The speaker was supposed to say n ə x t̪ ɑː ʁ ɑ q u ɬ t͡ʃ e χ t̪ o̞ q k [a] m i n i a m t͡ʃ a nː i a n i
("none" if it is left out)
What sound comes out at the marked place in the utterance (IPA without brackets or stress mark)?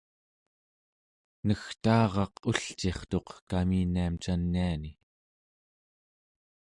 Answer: a